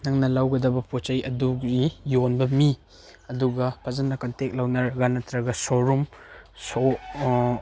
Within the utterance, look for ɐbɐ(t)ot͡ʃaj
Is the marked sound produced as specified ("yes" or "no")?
no